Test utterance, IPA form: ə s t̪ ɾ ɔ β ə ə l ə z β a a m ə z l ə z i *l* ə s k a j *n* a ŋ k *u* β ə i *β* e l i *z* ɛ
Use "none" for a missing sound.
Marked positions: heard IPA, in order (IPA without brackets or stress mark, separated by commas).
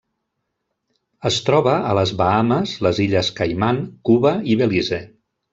ʎ, m, u, β, z